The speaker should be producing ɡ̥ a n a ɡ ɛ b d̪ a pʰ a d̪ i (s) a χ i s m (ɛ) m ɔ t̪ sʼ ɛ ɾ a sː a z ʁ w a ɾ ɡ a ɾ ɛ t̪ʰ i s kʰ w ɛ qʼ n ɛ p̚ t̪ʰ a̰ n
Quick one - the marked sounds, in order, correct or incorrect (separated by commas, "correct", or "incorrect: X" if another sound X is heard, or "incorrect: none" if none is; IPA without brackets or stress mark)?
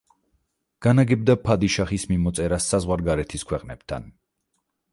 incorrect: ʃ, incorrect: i